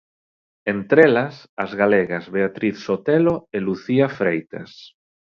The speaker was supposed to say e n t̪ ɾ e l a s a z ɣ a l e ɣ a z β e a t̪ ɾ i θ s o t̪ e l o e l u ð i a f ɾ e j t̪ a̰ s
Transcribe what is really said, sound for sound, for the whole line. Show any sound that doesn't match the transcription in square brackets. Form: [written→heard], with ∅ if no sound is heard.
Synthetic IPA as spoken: e n t̪ ɾ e l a s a z ɣ a l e ɣ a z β e a t̪ ɾ i θ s o t̪ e l o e l u [ð→θ] i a f ɾ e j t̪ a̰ s